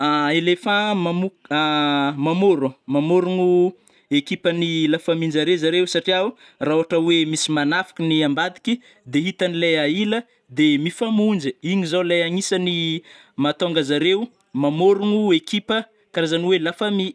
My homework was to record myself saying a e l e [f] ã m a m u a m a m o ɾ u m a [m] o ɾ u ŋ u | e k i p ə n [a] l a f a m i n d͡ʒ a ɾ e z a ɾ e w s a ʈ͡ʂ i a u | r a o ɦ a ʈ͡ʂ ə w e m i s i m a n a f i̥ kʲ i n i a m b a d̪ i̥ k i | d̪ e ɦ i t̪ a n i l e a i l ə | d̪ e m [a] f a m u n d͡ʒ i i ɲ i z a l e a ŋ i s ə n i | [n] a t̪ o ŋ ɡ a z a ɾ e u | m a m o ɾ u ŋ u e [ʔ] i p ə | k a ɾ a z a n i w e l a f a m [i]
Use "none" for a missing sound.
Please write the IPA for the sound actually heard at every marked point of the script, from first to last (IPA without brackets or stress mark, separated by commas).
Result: f, m, i, i, m, k, i